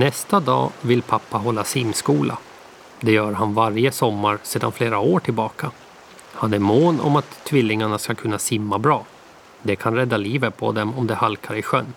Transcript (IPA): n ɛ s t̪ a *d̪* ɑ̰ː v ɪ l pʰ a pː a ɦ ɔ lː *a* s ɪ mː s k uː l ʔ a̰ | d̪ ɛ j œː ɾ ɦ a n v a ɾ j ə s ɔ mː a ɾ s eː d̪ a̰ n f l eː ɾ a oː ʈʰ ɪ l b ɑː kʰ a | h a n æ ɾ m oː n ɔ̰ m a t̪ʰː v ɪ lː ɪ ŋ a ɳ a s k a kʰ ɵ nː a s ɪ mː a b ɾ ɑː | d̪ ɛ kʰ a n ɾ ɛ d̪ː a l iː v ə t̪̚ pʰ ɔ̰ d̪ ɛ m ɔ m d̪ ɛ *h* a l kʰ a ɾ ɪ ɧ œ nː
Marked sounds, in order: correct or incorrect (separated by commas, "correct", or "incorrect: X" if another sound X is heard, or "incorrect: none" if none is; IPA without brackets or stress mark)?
correct, correct, correct